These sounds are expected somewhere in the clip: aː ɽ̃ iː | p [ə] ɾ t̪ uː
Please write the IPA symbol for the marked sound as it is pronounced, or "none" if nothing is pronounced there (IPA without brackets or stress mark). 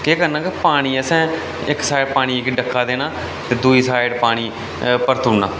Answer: ə